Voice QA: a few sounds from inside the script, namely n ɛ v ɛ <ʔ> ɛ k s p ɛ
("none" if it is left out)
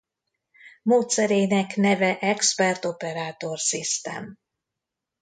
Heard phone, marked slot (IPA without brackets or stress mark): ʔ